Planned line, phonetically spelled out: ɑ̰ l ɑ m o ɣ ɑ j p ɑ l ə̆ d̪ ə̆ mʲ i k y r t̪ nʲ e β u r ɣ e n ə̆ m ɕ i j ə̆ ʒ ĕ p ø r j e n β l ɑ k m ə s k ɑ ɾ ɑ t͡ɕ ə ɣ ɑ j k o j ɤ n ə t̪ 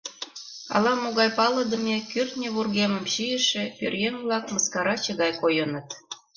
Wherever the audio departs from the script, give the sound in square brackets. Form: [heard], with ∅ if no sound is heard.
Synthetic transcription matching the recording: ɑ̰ l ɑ m o ɣ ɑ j p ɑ l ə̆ d̪ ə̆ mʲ [e] k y r t̪ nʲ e β u r ɣ e [m] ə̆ m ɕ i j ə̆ [ʃ] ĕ p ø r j e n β l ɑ k m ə s k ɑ ɾ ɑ t͡ɕ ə ɣ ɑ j k o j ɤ n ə t̪